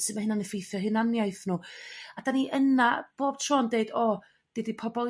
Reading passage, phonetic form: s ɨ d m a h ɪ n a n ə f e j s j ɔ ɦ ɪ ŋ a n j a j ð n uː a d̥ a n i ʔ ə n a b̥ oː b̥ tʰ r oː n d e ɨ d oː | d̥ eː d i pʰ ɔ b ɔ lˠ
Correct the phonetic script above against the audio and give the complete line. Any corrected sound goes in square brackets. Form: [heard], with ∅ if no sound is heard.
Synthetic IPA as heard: s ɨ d m a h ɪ n a n ə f e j [θ] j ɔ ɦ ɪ [n] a n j a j [θ] n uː a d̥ a n i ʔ ə n a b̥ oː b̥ tʰ r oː n d e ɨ d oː | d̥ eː d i pʰ ɔ b ɔ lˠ